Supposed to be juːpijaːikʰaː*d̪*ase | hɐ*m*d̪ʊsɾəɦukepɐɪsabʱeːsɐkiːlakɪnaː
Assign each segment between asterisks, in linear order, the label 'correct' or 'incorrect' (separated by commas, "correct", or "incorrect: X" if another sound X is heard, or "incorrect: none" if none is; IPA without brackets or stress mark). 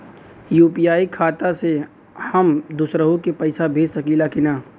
incorrect: t̪, correct